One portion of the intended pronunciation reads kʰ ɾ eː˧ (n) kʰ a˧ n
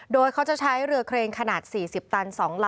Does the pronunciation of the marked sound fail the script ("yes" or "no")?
yes